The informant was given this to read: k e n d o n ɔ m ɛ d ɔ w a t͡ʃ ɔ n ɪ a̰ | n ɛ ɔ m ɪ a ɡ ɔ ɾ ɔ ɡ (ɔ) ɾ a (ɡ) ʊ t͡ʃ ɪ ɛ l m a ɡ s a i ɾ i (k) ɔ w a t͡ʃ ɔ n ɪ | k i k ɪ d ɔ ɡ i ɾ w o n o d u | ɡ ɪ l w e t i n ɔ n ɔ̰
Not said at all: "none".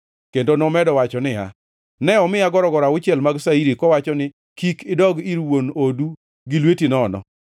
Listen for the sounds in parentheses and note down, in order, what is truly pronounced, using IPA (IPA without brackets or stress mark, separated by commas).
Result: ɔ, none, k